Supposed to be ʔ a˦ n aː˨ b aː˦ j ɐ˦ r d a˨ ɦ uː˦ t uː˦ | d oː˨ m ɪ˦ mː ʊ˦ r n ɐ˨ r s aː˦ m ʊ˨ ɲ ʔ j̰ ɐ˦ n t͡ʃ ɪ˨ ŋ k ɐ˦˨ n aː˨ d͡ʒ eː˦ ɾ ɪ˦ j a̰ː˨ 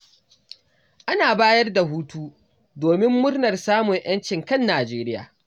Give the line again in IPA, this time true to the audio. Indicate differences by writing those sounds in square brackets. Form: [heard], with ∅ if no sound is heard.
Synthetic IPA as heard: ʔ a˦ n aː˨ b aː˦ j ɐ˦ r d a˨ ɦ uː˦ t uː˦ | d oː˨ m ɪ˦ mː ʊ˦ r n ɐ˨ r s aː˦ m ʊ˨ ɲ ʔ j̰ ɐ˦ n t͡ʃ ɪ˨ ŋ k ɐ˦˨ [nː] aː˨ d͡ʒ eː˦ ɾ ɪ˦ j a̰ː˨

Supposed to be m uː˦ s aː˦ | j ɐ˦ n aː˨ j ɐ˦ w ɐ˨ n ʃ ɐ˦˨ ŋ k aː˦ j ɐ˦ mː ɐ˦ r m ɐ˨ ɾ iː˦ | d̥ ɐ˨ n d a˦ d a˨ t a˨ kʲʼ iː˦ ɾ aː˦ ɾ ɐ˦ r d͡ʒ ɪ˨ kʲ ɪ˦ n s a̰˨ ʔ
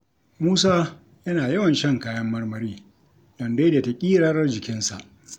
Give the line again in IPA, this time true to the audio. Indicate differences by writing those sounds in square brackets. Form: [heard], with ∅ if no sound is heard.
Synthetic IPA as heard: m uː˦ s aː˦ | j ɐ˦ n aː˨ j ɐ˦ w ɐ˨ n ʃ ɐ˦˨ ŋ k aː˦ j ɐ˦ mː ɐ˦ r m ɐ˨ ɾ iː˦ | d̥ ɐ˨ n d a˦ d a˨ t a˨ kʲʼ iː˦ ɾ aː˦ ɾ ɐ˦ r d͡ʒ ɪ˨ kʲ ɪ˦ n s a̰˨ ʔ

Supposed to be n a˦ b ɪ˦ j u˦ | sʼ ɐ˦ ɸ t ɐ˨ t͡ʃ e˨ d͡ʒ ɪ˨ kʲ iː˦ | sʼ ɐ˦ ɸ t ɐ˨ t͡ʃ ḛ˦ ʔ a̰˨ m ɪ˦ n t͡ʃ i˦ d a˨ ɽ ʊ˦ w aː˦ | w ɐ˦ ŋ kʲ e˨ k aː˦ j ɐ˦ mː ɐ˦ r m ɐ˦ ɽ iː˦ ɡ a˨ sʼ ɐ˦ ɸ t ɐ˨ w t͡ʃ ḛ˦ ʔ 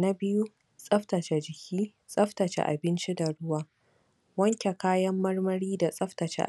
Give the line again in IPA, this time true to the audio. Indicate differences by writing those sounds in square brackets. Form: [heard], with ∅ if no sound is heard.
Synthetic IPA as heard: n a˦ b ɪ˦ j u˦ | sʼ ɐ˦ ɸ t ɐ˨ t͡ʃ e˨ d͡ʒ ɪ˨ kʲ iː˦ | sʼ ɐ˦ ɸ t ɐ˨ t͡ʃ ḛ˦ ʔ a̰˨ [b] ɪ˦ n t͡ʃ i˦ d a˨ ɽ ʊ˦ w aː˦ | w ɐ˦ ŋ kʲ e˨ k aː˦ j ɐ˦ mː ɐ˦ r m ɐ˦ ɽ iː˦ [d] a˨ sʼ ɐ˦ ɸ t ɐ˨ [∅] t͡ʃ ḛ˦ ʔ

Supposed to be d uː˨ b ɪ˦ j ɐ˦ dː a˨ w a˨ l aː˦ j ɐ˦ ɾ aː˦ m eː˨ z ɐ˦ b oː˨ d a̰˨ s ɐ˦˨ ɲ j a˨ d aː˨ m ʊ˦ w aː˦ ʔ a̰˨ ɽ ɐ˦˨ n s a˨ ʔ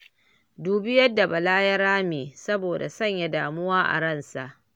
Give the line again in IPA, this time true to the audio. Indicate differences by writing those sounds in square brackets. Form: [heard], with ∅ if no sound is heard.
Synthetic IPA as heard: d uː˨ b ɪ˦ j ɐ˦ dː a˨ [b] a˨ l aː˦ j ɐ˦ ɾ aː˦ m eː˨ [s] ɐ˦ b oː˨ d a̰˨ s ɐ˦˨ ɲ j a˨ d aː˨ m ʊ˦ w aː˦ ʔ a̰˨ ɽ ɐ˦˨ n s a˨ ʔ

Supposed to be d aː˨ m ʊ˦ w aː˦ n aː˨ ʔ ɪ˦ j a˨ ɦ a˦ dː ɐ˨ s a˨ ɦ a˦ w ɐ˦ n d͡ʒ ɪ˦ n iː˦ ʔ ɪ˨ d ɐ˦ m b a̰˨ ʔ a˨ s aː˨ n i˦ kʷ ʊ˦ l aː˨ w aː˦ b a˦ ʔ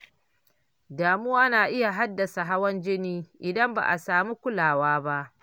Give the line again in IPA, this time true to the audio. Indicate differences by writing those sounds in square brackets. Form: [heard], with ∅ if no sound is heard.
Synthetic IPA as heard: d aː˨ m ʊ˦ w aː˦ n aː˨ ʔ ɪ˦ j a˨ ɦ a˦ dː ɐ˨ s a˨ ɦ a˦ w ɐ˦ n d͡ʒ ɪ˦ n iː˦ ʔ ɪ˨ d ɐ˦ m b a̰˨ ʔ a˨ s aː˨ [m] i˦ kʷ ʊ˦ l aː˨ w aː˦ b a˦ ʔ

